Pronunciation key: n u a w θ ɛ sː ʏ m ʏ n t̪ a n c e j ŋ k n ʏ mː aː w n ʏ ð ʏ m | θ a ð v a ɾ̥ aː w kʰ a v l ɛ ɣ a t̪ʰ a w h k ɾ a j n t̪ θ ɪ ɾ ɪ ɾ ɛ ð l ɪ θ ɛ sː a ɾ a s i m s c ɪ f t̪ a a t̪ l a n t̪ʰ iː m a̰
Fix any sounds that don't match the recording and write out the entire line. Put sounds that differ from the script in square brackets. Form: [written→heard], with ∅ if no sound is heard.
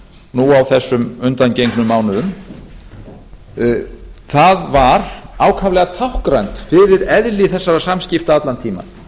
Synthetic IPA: n u a w θ ɛ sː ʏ m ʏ n t̪ a n c e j ŋ k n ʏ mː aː w n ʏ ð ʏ m | θ a ð v a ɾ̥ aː w kʰ a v l ɛ ɣ a t̪ʰ a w h k ɾ a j n t̪ [θ→f] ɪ ɾ ɪ ɾ ɛ ð l ɪ θ ɛ sː a ɾ a s [i→a] m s c ɪ f t̪ a a t̪ l a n t̪ʰ iː m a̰